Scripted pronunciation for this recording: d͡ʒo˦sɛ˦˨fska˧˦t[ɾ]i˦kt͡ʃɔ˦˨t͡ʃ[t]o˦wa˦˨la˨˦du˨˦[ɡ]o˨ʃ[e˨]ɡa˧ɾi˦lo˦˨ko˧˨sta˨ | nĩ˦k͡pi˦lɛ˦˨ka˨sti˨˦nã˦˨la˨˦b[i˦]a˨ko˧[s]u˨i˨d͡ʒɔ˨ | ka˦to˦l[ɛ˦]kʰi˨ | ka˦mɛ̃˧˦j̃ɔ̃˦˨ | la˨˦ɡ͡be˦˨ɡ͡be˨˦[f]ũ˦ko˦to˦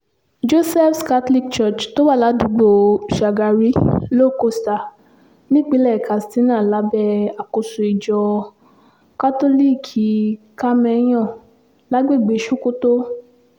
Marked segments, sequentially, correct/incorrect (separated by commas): incorrect, correct, incorrect, incorrect, incorrect, correct, incorrect, incorrect